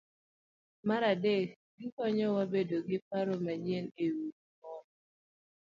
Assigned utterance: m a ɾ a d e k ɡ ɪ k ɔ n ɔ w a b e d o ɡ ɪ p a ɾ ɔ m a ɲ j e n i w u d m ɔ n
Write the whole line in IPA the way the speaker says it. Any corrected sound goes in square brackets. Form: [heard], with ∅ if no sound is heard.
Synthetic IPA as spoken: m a ɾ a d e k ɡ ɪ k ɔ [ɲ] ɔ w a b e d o ɡ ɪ p a ɾ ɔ m a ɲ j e n [e] w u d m ɔ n